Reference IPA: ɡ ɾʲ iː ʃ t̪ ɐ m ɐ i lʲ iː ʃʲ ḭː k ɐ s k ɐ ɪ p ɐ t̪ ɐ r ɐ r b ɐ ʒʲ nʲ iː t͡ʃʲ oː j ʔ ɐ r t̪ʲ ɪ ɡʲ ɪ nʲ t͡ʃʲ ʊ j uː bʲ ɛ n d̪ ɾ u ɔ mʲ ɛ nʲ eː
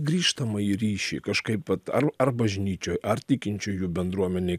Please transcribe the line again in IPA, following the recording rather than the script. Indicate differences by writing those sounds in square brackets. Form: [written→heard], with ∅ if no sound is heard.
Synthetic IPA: ɡ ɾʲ iː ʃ t̪ ɐ m ɐ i [lʲ→ɾʲ] iː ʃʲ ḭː k ɐ [s→ʃ] k ɐ ɪ p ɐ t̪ ɐ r ɐ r b ɐ ʒʲ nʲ iː t͡ʃʲ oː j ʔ ɐ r t̪ʲ ɪ [ɡʲ→kʲ] ɪ nʲ t͡ʃʲ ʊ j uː bʲ ɛ n d̪ ɾ u ɔ mʲ ɛ nʲ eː